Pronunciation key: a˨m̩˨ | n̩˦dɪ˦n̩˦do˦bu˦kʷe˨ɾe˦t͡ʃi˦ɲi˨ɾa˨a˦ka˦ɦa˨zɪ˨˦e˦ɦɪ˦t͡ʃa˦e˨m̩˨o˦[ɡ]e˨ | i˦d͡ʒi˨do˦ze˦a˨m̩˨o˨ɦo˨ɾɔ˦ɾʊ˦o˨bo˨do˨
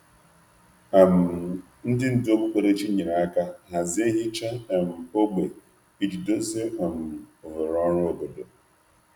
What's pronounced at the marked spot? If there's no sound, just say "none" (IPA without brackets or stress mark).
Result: ɡ͡b